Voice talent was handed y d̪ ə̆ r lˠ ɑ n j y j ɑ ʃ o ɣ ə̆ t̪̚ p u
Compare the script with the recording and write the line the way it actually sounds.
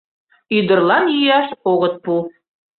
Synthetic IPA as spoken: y d̪ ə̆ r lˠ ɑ n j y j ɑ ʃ o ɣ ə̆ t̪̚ p u